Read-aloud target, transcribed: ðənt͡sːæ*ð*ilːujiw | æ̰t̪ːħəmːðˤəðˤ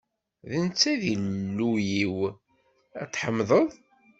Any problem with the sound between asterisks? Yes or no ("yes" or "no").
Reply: no